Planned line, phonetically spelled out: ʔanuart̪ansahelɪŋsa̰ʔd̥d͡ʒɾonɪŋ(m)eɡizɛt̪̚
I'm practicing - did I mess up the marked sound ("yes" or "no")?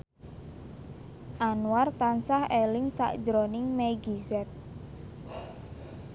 no